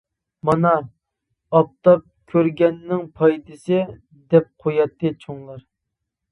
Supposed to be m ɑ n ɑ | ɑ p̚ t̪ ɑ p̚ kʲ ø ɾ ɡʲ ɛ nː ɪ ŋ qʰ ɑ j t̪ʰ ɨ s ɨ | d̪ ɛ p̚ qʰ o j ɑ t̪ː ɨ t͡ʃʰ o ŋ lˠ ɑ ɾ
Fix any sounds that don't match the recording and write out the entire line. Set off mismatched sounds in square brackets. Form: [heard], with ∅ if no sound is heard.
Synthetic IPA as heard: m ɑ n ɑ | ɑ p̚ t̪ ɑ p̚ [kʲʰ] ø ɾ ɡʲ ɛ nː ɪ ŋ [pʰ] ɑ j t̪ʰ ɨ s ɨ | d̪ ɛ p̚ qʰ o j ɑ t̪ː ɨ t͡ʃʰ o ŋ lˠ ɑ ɾ